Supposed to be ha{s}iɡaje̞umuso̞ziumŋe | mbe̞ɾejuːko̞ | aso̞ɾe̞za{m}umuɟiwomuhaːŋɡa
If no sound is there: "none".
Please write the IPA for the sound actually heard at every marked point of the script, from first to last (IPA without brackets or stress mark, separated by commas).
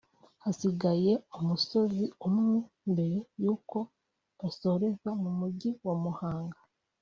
s, m